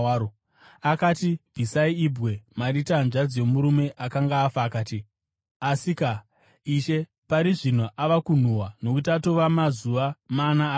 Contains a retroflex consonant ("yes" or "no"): yes